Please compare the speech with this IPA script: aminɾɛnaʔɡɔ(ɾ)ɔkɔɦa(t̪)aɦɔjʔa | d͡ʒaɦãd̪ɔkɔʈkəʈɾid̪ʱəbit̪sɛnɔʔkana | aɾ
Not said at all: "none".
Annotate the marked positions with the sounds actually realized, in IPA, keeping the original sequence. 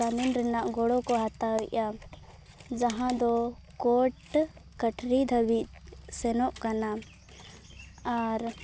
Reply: ɽ, t̪

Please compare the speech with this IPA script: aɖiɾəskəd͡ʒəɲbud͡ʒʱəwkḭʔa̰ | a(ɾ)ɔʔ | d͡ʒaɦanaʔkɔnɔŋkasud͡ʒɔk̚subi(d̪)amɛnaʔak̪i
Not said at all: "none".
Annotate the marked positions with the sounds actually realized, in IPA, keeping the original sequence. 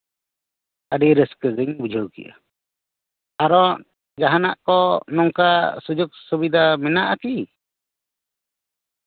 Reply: ɾ, d̪

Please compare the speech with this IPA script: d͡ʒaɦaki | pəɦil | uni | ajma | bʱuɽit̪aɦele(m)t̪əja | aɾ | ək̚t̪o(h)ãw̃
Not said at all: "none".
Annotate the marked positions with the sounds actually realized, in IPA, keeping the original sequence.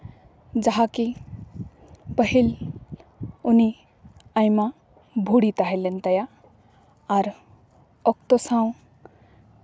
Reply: n, s

